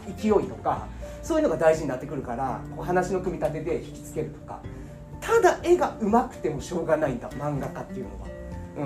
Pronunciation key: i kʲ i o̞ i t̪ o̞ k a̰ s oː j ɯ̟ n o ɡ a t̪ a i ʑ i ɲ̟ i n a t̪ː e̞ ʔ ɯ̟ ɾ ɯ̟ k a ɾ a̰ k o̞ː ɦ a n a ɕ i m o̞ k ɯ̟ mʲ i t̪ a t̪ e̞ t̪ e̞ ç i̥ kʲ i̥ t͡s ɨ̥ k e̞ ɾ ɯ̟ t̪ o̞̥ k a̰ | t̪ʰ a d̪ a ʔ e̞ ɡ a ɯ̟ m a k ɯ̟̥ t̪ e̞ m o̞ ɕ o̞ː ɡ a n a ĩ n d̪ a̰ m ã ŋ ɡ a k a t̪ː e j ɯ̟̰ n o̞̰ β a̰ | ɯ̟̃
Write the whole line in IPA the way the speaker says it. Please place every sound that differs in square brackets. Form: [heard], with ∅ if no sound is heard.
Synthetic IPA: i kʲ i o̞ i t̪ o̞ k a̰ s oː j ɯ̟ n o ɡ a [d̪] a i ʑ i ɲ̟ i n a t̪ː e̞ [k] ɯ̟ ɾ ɯ̟ k a ɾ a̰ k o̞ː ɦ a n a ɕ i [n] o̞ k ɯ̟ mʲ i t̪ a t̪ e̞ [d̪] e̞ ç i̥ kʲ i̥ t͡s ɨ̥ k e̞ ɾ ɯ̟ t̪ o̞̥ k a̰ | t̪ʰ a d̪ a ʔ e̞ ɡ a ɯ̟ m a k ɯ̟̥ t̪ e̞ m o̞ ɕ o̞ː ɡ a n a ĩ n d̪ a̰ m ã ŋ ɡ a k a t̪ː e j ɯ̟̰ n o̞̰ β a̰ | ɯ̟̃